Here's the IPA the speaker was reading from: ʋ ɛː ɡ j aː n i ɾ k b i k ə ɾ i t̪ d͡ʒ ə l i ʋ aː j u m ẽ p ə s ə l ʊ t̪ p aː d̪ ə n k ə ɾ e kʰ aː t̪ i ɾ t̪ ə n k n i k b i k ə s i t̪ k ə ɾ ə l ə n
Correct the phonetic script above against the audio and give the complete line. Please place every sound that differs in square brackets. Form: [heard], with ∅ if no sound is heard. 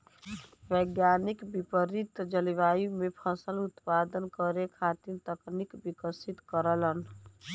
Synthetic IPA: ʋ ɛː ɡ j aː n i [∅] k b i [p] ə ɾ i t̪ d͡ʒ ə l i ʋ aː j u m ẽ [pʰ] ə s ə l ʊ t̪ p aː d̪ ə n k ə ɾ e kʰ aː t̪ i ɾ t̪ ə [∅] k n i k b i k ə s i t̪ k ə ɾ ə l ə n

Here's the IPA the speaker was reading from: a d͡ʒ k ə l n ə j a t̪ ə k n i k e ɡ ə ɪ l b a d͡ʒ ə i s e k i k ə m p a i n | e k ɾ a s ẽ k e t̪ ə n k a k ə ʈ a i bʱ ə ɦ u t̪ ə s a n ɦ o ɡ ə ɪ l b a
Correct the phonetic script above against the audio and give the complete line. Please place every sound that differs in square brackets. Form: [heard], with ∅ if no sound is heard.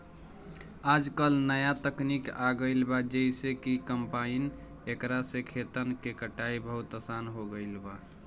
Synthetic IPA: a d͡ʒ k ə l n ə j a t̪ ə k n i k [a] ɡ ə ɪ l b a d͡ʒ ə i s e k i k ə m p a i n | e k ɾ a s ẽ [kʰ] e t̪ ə n k [e] k ə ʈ a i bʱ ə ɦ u t̪ ə s a n ɦ o ɡ ə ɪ l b a

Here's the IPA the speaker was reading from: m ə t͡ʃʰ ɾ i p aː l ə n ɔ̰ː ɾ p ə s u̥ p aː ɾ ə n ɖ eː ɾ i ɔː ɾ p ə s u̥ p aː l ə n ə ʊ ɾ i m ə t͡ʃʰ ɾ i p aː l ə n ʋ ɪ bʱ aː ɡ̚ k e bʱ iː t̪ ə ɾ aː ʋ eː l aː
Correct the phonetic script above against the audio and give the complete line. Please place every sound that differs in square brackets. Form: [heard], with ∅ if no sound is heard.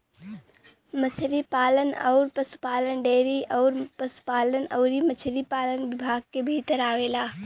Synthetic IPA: m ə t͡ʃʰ ɾ i p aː l ə n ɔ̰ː ɾ p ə s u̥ p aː [l] ə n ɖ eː ɾ i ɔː ɾ p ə s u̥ p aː l ə n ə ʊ ɾ i m ə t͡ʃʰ ɾ i p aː l ə n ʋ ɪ bʱ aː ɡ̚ k e bʱ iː t̪ ə ɾ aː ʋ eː l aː

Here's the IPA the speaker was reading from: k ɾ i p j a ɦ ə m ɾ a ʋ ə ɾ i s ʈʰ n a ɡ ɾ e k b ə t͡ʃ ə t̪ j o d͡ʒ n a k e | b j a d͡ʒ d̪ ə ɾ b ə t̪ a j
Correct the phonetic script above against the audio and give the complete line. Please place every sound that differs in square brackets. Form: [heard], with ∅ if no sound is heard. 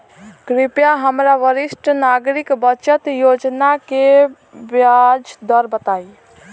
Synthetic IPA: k ɾ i p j a ɦ ə m ɾ a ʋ ə ɾ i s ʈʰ n a ɡ ɾ [i] k b ə t͡ʃ ə t̪ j o d͡ʒ n a k e | b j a d͡ʒ d̪ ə ɾ b ə t̪ a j

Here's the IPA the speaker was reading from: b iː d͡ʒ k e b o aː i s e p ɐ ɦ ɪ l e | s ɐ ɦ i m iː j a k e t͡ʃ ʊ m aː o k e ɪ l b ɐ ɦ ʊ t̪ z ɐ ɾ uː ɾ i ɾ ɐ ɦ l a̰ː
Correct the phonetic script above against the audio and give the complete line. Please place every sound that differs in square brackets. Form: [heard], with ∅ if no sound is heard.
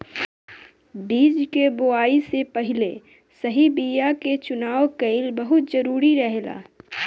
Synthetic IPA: b iː d͡ʒ k e b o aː i s e p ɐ ɦ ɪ l e | s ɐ ɦ i [b] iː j a k e t͡ʃ ʊ [n] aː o k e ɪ l b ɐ ɦ ʊ t̪ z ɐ ɾ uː ɾ i ɾ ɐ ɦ l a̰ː

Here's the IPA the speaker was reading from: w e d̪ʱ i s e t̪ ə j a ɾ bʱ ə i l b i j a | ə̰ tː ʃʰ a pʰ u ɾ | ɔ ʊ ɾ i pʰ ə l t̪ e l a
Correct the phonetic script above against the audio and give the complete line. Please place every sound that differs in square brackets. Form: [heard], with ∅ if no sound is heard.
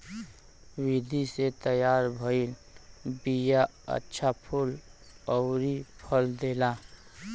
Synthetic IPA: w [i] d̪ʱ i s e t̪ ə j a ɾ bʱ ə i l b i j a | ə̰ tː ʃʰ a pʰ u [l] | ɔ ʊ ɾ i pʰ ə l [d̪] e l a

